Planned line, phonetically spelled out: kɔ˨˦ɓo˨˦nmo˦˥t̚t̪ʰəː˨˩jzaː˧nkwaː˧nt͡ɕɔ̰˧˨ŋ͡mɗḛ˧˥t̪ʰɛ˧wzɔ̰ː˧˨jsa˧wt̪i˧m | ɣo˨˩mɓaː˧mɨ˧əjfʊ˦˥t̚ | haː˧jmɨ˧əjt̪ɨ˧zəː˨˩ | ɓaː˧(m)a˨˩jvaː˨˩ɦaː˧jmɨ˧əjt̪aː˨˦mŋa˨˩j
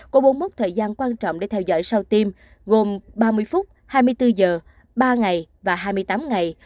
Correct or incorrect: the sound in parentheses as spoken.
incorrect: ŋ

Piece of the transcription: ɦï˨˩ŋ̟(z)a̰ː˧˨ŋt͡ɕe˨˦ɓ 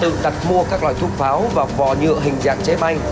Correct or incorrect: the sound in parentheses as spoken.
correct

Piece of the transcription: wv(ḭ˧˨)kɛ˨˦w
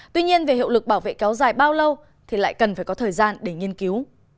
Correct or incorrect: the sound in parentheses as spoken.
incorrect: ḛ˧˨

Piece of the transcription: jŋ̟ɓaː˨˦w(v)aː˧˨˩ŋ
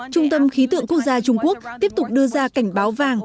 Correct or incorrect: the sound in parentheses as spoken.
correct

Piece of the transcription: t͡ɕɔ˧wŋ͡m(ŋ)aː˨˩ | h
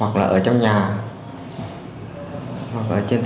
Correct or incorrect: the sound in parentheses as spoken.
incorrect: ɲ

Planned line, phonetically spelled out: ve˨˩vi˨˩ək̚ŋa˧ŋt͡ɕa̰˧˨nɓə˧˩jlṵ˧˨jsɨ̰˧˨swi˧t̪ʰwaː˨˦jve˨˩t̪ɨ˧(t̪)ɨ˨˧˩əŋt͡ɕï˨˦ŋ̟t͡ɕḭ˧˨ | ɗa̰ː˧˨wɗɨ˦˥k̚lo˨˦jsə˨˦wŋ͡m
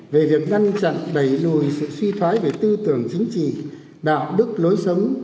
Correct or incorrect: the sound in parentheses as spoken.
correct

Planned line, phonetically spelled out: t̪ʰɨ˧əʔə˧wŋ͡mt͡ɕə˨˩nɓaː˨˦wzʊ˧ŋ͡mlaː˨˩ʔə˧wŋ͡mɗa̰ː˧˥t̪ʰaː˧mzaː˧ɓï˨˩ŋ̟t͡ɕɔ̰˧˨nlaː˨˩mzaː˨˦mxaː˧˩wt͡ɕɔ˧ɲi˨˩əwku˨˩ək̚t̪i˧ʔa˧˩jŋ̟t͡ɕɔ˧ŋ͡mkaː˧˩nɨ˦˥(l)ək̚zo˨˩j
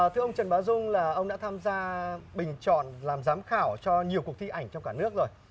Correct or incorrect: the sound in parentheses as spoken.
incorrect: none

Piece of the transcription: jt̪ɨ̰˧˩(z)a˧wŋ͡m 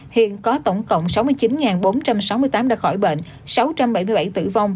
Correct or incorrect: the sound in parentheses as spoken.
incorrect: v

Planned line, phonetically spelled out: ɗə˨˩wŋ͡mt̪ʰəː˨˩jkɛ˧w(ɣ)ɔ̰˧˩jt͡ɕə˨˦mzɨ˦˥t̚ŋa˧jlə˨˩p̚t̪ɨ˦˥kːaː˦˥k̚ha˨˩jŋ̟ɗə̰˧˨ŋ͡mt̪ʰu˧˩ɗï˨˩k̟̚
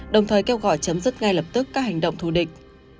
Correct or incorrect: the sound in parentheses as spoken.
correct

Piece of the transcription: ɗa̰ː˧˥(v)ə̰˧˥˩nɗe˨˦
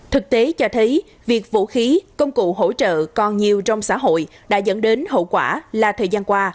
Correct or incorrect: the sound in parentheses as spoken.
incorrect: z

